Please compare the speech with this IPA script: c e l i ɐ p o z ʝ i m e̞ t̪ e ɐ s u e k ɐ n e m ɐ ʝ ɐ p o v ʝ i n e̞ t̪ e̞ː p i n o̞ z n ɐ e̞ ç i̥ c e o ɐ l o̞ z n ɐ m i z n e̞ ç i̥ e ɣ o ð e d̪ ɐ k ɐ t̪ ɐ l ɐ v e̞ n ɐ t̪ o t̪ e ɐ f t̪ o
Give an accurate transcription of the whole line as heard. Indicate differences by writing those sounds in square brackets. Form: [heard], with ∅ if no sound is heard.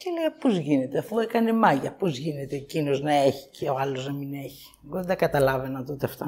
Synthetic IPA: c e l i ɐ p o z ʝ i [n] e̞ t̪ e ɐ [f] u e k ɐ n e m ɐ ʝ ɐ p o [z] ʝ i n e̞ t̪ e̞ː [c] i n o̞ z n ɐ e̞ ç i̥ c e o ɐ l o̞ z n ɐ m i [∅] n e̞ ç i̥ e ɣ o ð e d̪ ɐ k ɐ t̪ ɐ l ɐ v e̞ n ɐ t̪ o t̪ e ɐ f t̪ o